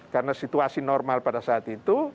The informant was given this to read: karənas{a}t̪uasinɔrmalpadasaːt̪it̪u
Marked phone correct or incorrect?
incorrect